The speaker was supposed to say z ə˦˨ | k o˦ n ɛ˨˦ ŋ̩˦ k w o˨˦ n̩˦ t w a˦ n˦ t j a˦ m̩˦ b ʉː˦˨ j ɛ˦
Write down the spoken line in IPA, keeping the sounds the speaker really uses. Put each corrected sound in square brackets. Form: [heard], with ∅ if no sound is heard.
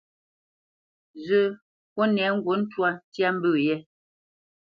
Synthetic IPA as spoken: z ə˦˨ | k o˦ n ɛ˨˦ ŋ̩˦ [ɡ] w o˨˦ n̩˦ t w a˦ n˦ t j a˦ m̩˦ b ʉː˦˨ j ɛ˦